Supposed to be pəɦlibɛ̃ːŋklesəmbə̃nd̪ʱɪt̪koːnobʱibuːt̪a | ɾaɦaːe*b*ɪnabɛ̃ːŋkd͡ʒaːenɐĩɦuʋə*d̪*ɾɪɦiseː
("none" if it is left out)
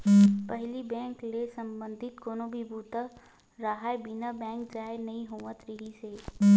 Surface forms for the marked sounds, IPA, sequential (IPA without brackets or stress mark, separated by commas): b, t̪